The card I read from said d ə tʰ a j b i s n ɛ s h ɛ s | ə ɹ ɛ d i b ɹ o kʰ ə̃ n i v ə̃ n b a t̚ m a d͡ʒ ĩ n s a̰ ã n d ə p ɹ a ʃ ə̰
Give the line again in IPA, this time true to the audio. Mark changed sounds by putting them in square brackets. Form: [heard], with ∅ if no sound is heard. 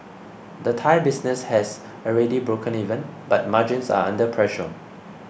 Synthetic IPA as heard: d ə tʰ a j b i s n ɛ s h ɛ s | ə ɹ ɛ d i b ɹ o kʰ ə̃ n i v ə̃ n b a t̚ m a d͡ʒ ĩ n s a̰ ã n d ə [pʰ] ɹ [ɛ] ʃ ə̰